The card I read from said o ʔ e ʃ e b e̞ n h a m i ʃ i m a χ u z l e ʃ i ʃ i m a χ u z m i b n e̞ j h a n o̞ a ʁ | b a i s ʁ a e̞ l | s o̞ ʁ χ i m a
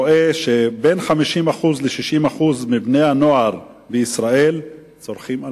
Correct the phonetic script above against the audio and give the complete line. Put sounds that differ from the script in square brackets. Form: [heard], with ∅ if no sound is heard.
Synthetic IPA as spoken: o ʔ e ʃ e b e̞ n [χ] a m i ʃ i m a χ u z l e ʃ i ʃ i m a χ u z m i b n e̞ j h a n o̞ a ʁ | b [e] i s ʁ a e̞ l | [t͡s] o̞ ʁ χ i m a